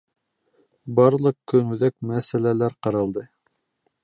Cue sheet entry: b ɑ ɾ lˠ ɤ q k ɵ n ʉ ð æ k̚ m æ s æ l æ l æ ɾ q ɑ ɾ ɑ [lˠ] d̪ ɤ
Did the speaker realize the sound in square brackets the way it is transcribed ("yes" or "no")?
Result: yes